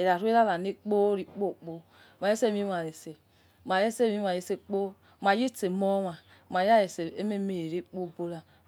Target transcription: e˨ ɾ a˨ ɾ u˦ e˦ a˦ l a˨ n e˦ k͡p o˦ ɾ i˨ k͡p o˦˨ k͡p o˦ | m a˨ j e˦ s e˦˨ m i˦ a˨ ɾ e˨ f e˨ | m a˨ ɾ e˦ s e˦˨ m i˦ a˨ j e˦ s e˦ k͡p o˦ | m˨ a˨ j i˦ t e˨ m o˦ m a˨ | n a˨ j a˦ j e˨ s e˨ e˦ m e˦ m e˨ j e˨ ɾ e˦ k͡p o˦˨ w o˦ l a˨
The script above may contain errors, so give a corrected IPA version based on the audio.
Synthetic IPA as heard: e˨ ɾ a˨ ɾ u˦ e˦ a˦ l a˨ n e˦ k͡p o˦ ɾ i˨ k͡p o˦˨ k͡p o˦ | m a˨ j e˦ s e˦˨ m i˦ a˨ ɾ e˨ s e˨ | m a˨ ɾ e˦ s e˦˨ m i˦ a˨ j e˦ s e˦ k͡p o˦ | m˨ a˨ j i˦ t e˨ m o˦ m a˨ | m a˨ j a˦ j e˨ s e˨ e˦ m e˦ m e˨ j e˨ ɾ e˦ k͡p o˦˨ b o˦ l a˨